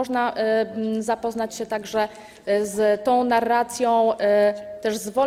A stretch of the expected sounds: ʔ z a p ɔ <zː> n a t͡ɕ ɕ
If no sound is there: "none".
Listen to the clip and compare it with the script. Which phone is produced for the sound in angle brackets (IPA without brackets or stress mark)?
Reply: z